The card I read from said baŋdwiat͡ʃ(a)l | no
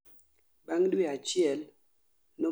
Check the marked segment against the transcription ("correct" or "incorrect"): incorrect